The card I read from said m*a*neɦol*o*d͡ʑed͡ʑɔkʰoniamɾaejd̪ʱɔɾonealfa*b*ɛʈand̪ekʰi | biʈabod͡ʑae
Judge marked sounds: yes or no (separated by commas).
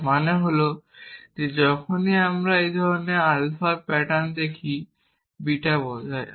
yes, yes, no